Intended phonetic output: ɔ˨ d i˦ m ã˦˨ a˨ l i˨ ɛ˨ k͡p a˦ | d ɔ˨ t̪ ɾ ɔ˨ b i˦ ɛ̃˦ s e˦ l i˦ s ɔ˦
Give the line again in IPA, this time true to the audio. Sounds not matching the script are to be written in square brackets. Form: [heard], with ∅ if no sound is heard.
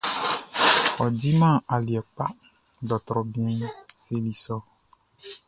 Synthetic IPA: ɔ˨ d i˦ m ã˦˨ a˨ l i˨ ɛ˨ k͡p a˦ | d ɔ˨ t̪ ɾ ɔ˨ b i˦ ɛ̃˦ s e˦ l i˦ s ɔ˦